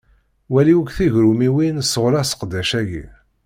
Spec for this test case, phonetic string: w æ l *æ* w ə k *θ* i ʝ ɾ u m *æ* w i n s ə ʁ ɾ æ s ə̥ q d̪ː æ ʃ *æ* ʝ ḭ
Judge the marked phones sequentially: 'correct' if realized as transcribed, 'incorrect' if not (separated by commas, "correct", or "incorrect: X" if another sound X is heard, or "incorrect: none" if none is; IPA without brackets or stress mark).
incorrect: i, correct, incorrect: i, correct